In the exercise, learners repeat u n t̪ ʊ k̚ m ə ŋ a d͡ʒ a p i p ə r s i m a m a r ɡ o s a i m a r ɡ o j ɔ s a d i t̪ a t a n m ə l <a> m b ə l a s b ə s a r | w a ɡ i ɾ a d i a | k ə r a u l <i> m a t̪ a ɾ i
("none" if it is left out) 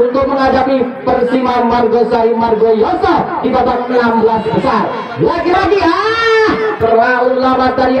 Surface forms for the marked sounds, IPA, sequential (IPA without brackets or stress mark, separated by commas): a, a